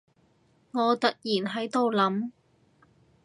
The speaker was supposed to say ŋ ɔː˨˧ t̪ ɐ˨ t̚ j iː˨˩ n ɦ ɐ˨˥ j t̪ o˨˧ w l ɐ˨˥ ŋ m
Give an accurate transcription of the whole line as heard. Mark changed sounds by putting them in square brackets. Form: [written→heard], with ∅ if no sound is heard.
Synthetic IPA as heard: ŋ ɔː˨˧ t̪ ɐ˨ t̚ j iː˨˩ n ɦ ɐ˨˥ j t̪ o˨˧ w l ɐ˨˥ [ŋ→∅] m

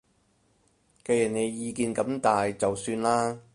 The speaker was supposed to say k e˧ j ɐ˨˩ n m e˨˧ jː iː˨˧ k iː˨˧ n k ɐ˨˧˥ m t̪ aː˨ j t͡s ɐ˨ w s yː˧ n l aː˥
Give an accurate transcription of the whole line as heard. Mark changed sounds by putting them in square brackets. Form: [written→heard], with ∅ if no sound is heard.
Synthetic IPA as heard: k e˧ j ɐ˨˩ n [m→n] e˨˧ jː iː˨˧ k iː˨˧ n k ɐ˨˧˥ m t̪ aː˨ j t͡s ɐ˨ w s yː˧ n l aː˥

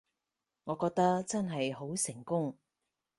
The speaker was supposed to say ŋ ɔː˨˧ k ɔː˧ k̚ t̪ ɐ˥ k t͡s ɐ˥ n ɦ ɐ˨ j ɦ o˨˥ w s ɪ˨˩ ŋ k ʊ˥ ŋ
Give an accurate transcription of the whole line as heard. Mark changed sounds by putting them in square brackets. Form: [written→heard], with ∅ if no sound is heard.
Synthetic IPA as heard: ŋ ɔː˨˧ k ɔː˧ k̚ t̪ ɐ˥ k t͡s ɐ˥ n ɦ ɐ˨ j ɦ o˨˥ w s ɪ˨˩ ŋ k ʊ˥ ŋ

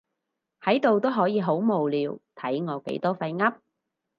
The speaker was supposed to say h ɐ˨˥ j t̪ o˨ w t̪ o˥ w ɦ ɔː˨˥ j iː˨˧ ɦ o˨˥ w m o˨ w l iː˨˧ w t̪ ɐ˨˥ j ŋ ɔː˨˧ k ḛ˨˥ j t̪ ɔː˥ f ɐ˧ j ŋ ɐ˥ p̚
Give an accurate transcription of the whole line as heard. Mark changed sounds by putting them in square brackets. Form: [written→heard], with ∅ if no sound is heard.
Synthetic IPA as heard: h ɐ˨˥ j t̪ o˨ w t̪ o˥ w ɦ ɔː˨˥ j iː˨˧ ɦ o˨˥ w m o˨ w l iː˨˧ w [t̪→t̪ʰ] ɐ˨˥ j ŋ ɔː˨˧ k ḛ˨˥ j t̪ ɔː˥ f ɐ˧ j ŋ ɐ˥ p̚

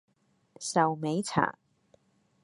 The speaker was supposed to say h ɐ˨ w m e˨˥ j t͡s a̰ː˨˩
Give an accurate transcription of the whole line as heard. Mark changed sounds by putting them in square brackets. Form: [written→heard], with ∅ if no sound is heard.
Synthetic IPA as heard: [h→s] ɐ˨ w m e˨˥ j [t͡s→t͡sʰ] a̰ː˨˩

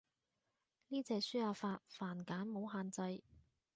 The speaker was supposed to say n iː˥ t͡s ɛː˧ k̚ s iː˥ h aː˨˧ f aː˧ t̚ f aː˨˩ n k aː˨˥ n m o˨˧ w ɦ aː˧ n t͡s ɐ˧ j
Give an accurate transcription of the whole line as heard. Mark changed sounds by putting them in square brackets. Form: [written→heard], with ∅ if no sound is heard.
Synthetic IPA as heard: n iː˥ t͡s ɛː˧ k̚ s [iː˥→yː˥] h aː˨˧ f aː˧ t̚ f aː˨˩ n k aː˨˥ n m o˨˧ w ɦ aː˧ n t͡s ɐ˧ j

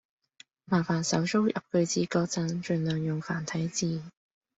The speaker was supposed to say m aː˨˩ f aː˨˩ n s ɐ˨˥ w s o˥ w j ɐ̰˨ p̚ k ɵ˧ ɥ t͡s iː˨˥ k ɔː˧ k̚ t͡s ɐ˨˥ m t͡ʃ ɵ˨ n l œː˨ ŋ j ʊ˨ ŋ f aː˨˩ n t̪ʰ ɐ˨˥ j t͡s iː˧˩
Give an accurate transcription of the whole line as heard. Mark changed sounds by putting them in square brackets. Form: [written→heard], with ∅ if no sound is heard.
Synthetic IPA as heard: m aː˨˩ f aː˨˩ n s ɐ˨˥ w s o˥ w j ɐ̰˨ p̚ k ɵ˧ ɥ t͡s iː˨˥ k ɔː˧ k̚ t͡s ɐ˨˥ [m→n] t͡ʃ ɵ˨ n l œː˨ ŋ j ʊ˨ ŋ f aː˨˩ n t̪ʰ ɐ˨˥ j t͡s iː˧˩

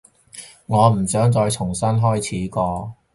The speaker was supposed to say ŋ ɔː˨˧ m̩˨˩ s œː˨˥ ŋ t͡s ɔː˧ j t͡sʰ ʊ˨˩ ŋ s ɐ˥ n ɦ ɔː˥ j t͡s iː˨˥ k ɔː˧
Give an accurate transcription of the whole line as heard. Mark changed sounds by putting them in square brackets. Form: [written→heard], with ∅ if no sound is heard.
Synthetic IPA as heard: ŋ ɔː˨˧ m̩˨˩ s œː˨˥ ŋ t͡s ɔː˧ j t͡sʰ ʊ˨˩ ŋ s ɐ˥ n ɦ ɔː˥ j [t͡s→t͡sʰ] iː˨˥ k ɔː˧

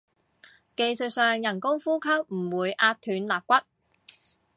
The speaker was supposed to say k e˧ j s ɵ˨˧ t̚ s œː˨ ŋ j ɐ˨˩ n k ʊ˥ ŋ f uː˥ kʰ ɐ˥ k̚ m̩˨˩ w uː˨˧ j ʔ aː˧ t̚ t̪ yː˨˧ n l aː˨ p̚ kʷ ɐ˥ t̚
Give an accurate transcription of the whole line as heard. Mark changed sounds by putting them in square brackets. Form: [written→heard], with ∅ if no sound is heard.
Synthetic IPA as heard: k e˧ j s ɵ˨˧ t̚ s œː˨ ŋ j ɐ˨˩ n k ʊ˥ ŋ f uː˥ kʰ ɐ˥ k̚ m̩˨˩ w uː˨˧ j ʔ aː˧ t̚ [t̪→t̪ʰ] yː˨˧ n l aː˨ p̚ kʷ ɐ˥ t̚

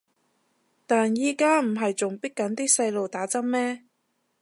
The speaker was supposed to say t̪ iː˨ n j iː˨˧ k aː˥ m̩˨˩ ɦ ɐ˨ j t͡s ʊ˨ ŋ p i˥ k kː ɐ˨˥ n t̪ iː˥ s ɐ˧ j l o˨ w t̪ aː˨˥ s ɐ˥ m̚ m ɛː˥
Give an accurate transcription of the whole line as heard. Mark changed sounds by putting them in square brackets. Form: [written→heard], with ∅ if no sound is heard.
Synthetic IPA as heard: t̪ [iː˨→aː˨] n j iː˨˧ k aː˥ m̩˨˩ ɦ ɐ˨ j t͡s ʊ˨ ŋ p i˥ k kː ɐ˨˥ n t̪ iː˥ s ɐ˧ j l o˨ w t̪ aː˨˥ [s→t͡s] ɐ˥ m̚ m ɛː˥

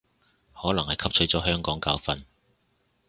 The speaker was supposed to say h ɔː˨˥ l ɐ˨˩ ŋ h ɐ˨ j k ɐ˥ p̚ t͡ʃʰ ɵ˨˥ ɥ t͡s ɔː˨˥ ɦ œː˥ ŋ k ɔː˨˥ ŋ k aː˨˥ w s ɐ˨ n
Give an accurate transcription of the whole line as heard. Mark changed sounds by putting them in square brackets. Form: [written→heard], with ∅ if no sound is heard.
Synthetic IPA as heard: h ɔː˨˥ l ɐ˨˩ ŋ h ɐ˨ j [k→kʰ] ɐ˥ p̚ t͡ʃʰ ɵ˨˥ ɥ t͡s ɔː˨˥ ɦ œː˥ ŋ k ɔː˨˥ ŋ k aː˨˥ w [s→f] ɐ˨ n

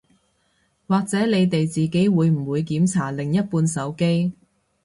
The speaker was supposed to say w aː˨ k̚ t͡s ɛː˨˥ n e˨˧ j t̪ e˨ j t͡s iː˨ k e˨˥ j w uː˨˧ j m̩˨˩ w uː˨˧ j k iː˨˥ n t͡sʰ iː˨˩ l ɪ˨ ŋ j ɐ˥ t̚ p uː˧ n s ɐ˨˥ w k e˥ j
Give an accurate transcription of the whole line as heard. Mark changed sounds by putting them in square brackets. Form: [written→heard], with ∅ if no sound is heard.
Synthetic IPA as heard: w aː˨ k̚ t͡s ɛː˨˥ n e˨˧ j t̪ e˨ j t͡s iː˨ k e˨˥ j w uː˨˧ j m̩˨˩ w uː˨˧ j k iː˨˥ [n→m] t͡sʰ [iː˨˩→aː˨˩] l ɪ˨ ŋ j ɐ˥ t̚ p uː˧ n s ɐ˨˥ w k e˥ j

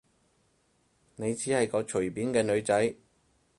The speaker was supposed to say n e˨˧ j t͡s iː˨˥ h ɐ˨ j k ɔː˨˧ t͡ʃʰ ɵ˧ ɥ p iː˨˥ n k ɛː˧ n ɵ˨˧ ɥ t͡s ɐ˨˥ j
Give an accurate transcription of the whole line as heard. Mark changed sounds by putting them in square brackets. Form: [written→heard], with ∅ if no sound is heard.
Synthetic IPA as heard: n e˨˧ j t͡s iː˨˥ h ɐ˨ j k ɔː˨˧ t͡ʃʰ [ɵ˧→ɵ˨˩] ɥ p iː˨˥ n k ɛː˧ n ɵ˨˧ ɥ t͡s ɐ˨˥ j

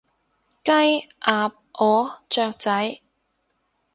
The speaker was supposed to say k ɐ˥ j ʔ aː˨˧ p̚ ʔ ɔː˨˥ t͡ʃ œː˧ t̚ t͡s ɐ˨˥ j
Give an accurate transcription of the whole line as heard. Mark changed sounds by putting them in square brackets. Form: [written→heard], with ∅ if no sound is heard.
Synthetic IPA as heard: k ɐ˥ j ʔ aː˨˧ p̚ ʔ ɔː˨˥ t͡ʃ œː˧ [t̚→k̚] t͡s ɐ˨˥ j

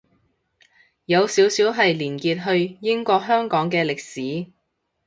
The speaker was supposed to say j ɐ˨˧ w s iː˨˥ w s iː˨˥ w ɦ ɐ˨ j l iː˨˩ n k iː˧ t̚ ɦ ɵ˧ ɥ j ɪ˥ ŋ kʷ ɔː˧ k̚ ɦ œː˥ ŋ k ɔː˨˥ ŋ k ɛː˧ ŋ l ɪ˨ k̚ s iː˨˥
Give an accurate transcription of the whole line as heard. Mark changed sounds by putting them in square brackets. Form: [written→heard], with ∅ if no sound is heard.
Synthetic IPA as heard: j ɐ˨˧ w s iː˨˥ w s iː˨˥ w ɦ ɐ˨ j l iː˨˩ n k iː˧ t̚ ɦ ɵ˧ ɥ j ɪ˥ ŋ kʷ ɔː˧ k̚ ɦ œː˥ ŋ k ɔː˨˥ ŋ k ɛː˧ [ŋ→∅] l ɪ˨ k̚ s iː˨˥

